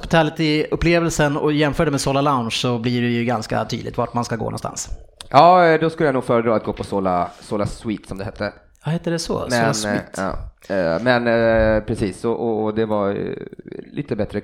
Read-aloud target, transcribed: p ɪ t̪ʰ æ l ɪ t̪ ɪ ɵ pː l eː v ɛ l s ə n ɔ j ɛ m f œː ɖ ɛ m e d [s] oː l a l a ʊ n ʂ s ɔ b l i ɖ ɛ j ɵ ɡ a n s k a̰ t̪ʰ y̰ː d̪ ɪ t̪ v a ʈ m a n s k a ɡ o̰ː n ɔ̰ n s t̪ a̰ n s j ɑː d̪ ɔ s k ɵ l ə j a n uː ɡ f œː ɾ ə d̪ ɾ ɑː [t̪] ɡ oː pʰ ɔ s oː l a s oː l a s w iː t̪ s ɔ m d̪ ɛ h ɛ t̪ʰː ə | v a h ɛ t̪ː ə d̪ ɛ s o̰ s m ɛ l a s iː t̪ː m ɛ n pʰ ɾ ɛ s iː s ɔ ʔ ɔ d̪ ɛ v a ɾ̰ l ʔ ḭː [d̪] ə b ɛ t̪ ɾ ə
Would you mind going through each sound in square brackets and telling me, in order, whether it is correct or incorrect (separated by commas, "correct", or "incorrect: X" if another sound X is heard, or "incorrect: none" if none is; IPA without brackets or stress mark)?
correct, correct, incorrect: t̪